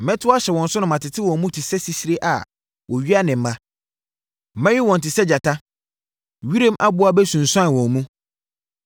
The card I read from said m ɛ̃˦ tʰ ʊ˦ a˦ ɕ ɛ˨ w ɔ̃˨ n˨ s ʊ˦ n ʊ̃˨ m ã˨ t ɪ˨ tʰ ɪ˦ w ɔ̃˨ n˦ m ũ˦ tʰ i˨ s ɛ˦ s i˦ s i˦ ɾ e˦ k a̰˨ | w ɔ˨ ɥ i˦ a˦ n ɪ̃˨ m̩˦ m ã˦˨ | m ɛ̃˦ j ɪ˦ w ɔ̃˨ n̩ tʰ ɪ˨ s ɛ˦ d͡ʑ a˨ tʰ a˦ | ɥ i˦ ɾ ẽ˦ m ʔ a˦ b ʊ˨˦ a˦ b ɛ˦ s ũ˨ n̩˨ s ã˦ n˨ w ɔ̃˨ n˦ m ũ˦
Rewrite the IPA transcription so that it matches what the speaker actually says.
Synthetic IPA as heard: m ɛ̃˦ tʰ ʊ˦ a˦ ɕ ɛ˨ w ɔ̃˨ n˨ s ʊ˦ n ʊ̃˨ m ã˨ t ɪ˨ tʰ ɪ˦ w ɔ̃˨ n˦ m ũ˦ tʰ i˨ s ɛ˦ s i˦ s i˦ ɾ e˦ ʔ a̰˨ | w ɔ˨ ɥ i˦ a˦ n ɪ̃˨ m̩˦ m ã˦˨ | m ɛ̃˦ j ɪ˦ w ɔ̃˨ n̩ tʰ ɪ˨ s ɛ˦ d͡ʑ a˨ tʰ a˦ | ɥ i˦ ɾ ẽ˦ m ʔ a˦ b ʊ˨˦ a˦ b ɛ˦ s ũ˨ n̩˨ s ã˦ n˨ w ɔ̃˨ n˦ m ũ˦